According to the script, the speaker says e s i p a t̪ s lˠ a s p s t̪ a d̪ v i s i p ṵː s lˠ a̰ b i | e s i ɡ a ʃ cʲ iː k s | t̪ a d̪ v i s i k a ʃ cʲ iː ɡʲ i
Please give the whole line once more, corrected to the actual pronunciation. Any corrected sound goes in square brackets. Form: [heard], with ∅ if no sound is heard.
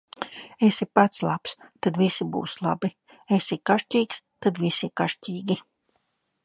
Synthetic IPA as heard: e s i p a t̪ s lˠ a [∅] p s t̪ a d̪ v i s i [b] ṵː s lˠ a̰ b i | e s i [k] a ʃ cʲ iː k s | t̪ a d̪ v i s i k a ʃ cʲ iː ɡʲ i

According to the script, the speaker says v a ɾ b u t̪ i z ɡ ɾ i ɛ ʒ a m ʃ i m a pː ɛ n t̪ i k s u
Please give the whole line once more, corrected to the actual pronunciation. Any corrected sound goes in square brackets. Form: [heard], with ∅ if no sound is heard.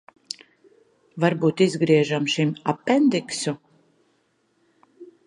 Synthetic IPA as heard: v a ɾ b [uː] t̪ i z ɡ ɾ i ɛ ʒ a m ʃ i m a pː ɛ n [d̪] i k s u

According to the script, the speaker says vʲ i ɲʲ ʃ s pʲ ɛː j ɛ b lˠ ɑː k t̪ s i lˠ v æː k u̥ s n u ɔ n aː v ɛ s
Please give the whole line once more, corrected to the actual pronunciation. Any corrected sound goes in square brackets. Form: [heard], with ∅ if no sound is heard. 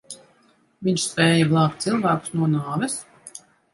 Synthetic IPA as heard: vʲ i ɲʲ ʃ s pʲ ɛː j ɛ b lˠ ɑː k t̪ s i lˠ v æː k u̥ s n u ɔ n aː v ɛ s

